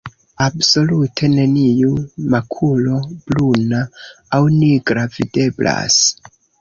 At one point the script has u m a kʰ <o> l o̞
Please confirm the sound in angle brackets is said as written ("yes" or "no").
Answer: no